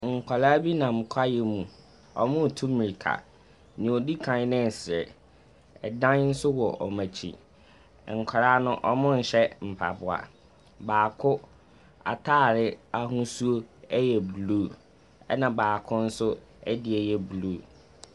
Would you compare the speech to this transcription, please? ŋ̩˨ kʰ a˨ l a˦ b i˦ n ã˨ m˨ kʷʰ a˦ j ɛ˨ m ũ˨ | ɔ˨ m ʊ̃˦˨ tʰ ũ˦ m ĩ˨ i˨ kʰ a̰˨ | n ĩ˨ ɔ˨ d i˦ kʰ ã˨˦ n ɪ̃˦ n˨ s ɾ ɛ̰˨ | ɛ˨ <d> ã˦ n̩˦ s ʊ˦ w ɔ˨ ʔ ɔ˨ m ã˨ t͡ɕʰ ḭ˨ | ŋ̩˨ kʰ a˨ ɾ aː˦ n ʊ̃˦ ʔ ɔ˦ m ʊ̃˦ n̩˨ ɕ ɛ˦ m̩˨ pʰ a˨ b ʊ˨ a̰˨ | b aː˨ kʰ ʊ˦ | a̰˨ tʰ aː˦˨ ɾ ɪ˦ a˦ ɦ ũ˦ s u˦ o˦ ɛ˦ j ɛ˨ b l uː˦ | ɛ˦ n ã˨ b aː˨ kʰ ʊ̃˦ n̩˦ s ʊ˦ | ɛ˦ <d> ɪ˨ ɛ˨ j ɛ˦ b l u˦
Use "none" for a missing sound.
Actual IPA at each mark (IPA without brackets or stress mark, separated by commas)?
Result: d, d